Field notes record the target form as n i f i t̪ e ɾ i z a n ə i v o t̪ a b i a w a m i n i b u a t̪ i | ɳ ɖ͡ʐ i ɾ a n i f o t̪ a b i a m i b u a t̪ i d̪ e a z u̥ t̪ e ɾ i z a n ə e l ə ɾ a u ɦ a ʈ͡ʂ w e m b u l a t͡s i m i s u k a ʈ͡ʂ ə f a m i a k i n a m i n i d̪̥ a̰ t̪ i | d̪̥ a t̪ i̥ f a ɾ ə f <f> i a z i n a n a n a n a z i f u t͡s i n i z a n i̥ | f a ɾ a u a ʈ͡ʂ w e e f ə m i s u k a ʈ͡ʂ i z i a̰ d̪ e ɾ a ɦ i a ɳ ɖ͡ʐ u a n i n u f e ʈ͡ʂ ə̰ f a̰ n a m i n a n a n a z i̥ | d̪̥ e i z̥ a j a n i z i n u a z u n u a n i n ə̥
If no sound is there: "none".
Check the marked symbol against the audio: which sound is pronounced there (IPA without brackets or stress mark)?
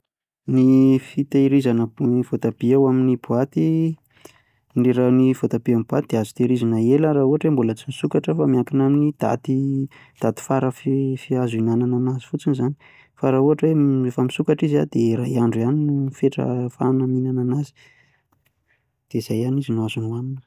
f